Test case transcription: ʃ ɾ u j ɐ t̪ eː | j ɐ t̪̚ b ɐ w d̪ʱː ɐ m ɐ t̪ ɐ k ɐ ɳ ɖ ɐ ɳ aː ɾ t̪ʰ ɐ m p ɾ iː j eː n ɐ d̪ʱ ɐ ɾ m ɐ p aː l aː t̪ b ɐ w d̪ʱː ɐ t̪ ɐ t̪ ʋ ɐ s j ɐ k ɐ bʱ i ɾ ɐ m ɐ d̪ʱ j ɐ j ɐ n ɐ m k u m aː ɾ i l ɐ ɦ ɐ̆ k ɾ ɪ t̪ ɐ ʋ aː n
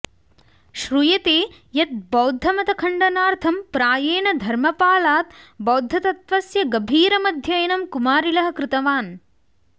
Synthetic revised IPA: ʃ ɾ u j ɐ t̪ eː | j ɐ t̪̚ b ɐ w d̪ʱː ɐ m ɐ t̪ ɐ kʰ ɐ ɳ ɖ ɐ n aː ɾ t̪ʰ ɐ m p ɾ aː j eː n ɐ d̪ʱ ɐ ɾ m ɐ p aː l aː t̪ b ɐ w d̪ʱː ɐ t̪ ɐ t̪ ʋ ɐ s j ɐ ɡ ɐ bʱ iː ɾ ɐ m ɐ d̪ʱ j ɐ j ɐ n ɐ m k u m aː ɾ i l ɐ ɦ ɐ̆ k ɾ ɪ t̪ ɐ ʋ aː n